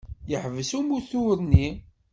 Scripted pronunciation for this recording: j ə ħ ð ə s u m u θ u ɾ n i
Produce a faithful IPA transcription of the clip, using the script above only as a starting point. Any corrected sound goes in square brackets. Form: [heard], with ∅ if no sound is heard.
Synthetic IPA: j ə ħ [v] ə s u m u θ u ɾ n i